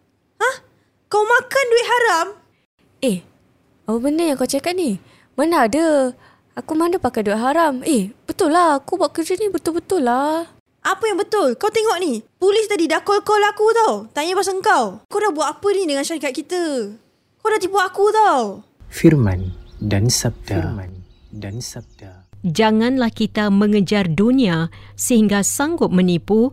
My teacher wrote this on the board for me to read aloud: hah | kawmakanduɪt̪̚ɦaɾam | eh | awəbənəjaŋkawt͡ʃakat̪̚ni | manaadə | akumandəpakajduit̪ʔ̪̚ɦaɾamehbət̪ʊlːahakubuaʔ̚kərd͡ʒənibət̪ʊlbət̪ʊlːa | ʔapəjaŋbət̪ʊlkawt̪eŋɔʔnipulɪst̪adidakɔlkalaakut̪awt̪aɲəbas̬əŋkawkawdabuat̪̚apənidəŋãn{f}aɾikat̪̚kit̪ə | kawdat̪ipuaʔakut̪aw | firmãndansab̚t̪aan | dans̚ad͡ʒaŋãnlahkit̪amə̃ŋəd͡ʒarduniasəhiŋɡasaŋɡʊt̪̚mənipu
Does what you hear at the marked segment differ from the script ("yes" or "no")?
yes